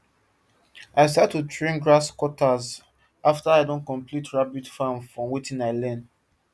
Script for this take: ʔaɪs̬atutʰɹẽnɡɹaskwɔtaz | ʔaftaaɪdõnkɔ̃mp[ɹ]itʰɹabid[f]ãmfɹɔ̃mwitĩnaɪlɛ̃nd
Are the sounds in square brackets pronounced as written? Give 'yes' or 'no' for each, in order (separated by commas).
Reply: no, yes